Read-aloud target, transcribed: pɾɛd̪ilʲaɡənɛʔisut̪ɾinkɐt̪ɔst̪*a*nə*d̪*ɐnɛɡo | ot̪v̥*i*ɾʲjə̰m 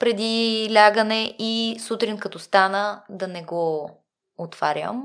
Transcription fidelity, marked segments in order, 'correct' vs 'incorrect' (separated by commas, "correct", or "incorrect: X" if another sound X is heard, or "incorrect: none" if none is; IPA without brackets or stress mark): correct, correct, incorrect: a